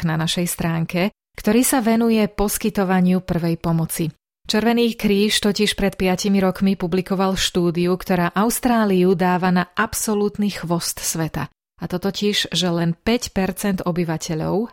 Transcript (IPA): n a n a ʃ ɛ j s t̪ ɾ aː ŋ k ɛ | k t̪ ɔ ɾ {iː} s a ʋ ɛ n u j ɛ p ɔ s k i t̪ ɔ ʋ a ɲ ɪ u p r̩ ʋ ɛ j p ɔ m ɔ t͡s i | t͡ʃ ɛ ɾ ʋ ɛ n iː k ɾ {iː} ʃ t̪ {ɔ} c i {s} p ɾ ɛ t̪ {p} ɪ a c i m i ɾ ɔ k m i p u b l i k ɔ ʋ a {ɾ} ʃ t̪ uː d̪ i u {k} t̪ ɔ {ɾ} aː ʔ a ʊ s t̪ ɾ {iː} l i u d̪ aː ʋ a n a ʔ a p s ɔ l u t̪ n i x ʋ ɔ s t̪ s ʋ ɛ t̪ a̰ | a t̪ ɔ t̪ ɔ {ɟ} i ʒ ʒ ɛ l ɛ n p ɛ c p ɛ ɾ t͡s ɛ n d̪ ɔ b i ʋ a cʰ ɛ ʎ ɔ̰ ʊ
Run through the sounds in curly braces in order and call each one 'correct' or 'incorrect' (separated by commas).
correct, correct, correct, incorrect, correct, incorrect, correct, correct, incorrect, incorrect